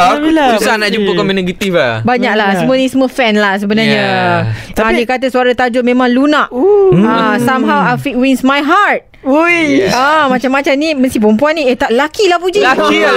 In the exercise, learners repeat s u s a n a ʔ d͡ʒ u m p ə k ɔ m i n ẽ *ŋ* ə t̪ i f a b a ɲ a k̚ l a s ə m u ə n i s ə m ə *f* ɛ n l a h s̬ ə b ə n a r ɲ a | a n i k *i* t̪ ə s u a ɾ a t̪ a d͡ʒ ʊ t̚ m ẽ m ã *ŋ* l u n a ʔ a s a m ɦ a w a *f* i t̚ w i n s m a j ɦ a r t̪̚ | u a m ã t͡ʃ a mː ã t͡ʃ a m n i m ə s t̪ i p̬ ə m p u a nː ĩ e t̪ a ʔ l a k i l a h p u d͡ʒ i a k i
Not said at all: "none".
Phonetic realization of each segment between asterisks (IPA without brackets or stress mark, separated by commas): ɡ, f, a, ŋ, f